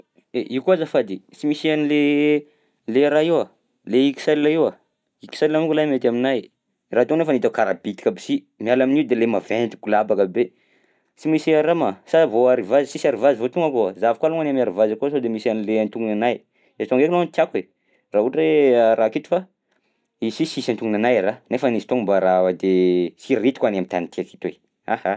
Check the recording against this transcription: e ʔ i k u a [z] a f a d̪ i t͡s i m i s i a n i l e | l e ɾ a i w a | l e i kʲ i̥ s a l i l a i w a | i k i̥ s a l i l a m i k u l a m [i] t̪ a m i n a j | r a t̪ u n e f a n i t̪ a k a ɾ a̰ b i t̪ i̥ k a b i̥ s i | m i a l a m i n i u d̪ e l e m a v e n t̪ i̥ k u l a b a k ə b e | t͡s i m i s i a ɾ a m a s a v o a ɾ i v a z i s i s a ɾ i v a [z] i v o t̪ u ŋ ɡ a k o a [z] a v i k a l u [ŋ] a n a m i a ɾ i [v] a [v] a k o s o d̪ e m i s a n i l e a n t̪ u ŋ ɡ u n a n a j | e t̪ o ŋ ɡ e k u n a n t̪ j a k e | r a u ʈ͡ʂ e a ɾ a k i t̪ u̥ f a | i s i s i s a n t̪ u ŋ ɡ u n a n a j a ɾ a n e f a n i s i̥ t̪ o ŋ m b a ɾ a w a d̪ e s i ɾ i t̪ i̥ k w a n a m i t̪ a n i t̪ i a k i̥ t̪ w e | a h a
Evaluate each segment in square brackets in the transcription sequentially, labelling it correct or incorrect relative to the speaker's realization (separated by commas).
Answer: correct, incorrect, correct, correct, correct, correct, incorrect